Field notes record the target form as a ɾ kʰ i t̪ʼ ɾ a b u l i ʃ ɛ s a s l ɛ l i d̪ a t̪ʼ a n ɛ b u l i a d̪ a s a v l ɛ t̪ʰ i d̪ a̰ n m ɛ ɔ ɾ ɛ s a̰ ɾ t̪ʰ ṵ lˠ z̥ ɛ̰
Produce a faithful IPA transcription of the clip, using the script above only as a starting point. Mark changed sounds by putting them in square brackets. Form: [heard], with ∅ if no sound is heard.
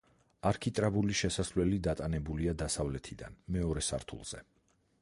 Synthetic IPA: a ɾ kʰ i t̪ʼ ɾ a b u l i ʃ ɛ s a s l ɛ l i d̪ a t̪ʼ a n ɛ b u l i a d̪ a s a v l ɛ t̪ʰ i d̪ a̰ n m ɛ ɔ ɾ ɛ s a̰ ɾ t̪ʰ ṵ lˠ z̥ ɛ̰